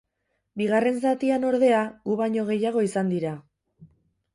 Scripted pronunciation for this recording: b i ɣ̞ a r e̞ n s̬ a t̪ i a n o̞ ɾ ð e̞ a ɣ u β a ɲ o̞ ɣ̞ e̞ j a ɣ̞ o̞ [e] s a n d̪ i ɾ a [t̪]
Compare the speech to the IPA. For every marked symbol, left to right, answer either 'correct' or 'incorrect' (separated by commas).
incorrect, incorrect